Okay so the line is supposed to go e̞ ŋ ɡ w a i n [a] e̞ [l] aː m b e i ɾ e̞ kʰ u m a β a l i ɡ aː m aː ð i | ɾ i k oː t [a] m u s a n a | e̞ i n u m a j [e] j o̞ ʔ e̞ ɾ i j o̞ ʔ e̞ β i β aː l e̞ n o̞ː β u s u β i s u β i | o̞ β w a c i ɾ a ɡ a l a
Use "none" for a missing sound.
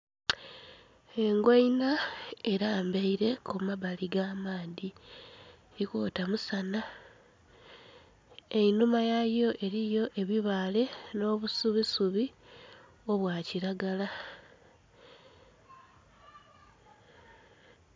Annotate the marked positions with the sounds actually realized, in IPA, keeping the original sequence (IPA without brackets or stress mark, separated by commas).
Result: a, ɾ, a, a